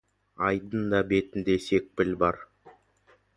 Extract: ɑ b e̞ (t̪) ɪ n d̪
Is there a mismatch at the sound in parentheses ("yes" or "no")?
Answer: no